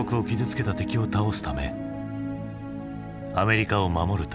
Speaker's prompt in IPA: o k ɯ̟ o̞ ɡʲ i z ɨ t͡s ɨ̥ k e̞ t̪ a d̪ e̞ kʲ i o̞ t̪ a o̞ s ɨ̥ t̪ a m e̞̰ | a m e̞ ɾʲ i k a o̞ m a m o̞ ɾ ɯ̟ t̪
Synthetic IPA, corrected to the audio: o k ɯ̟ o̞ kʲ i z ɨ t͡s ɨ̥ k e̞ t̪ a t̪ e̞ kʲ i o̞ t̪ a o̞ s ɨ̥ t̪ a m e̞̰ | a m e̞ ɾʲ i k a o̞ m a m o̞ ɾ ɯ̟ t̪